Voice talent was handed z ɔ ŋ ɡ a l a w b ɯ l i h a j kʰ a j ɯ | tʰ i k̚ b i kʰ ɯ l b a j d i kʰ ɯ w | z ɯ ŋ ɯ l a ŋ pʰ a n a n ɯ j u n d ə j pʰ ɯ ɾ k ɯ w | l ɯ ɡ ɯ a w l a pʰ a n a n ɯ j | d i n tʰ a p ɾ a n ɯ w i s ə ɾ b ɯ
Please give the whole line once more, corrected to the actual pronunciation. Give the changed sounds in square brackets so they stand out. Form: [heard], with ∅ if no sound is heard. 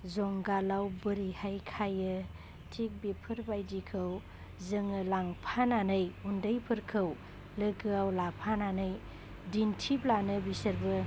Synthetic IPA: z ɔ ŋ ɡ a l a w b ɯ [ɾ] i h a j kʰ a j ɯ | tʰ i k̚ b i [pʰ] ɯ [ɾ] b a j d i kʰ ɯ w | z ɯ ŋ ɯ l a ŋ pʰ a n a n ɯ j u n d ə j pʰ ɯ ɾ [kʰ] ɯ w | l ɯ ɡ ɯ a w l a pʰ a n a n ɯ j | d i n tʰ [i] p [l] a n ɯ [b] i s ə ɾ b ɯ